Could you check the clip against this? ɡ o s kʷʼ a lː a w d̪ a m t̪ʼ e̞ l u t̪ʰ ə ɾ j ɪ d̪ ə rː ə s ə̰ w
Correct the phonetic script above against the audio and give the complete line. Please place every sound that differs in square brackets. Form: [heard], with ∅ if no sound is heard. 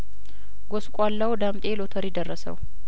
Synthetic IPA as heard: ɡ o s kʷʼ a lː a w d̪ a m t̪ʼ e̞ l [o] t̪ʰ ə ɾ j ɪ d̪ ə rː ə s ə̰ w